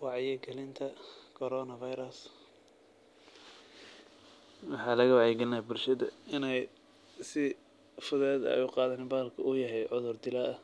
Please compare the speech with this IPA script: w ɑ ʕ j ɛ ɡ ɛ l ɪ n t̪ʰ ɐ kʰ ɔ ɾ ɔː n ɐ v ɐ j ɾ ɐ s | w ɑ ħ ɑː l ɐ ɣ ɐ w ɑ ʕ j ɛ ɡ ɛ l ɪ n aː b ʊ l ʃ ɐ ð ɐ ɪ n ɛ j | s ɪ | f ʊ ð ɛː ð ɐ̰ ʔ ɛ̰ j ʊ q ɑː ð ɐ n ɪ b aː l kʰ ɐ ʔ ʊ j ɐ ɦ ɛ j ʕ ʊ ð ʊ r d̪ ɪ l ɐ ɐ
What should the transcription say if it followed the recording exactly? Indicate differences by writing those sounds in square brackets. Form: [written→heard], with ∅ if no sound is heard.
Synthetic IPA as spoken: w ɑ ʕ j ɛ ɡ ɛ l ɪ n t̪ʰ ɐ kʰ ɔ ɾ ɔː n ɐ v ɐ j ɾ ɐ s | w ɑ ħ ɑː l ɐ ɣ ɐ w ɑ ʕ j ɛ ɡ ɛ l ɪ n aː b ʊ l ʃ ɐ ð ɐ ɪ n ɛ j | s ɪ | f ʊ ð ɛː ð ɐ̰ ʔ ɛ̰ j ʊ q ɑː ð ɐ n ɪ b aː l kʰ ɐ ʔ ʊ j ɐ ɦ ɛ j ʕ ʊ ð ʊ r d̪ ɪ l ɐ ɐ